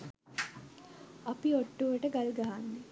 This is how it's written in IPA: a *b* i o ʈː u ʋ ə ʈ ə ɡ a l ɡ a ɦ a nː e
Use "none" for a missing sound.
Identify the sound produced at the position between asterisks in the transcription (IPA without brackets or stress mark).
p